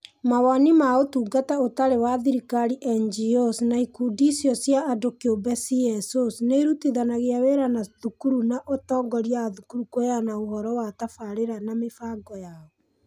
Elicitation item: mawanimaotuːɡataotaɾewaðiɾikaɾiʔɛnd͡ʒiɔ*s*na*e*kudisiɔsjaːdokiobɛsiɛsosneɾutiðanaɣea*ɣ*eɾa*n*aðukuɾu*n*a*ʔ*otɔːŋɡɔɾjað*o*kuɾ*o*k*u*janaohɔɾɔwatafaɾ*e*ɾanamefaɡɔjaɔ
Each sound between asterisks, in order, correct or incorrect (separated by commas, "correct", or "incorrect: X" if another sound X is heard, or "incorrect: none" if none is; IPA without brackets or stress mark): correct, incorrect: i, incorrect: w, correct, correct, correct, incorrect: u, incorrect: u, incorrect: o, correct